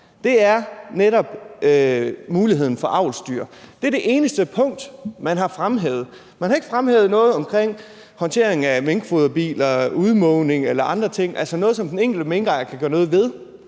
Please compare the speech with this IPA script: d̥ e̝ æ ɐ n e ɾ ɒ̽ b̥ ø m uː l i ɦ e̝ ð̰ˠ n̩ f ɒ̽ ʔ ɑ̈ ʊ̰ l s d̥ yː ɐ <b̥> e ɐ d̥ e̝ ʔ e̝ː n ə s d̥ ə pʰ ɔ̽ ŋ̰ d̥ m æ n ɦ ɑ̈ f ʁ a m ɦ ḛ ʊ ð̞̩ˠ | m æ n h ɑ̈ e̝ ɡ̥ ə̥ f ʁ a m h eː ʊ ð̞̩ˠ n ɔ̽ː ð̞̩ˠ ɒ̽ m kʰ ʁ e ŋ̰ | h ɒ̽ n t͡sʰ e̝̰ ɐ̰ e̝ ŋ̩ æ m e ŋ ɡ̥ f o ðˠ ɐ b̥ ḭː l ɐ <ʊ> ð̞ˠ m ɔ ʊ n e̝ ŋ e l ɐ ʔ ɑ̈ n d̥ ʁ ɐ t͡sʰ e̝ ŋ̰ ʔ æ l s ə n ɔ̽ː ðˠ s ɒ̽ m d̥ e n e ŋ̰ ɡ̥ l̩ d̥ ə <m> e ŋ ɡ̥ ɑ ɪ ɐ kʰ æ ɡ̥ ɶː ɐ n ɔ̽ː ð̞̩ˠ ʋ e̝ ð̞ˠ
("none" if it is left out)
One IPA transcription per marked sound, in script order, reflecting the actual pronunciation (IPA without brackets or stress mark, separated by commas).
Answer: d̥, u, m